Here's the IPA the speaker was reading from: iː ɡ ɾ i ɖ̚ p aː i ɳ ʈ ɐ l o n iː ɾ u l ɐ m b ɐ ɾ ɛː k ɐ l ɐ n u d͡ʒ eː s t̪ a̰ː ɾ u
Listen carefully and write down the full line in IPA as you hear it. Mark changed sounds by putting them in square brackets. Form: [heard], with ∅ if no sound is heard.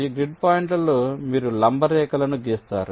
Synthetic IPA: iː ɡ ɾ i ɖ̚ p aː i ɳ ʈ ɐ l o [m] iː ɾ u l ɐ m b ɐ ɾ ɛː k ɐ l ɐ n u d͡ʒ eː s t̪ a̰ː ɾ u